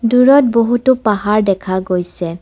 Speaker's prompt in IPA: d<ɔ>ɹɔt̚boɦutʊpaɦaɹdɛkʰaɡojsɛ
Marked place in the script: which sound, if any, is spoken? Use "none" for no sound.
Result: u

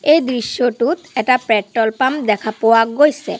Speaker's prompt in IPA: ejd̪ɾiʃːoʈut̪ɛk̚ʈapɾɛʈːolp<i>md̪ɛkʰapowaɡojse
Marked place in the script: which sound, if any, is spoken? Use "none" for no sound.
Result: a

